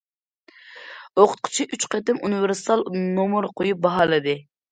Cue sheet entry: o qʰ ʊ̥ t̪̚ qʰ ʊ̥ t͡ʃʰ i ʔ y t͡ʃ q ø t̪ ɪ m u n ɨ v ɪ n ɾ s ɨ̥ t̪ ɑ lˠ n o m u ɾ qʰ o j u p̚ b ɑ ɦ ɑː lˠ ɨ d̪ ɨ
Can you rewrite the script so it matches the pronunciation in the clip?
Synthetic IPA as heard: o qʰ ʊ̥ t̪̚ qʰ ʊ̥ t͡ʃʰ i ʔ y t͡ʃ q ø t̪ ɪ m u n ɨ v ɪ ɾ s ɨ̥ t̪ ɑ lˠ n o m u ɾ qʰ o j u p̚ b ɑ ɦ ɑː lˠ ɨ d̪ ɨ